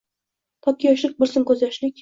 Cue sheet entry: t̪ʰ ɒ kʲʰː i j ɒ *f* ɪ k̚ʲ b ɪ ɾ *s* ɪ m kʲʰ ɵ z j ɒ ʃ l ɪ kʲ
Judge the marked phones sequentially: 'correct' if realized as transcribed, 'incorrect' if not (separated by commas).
incorrect, correct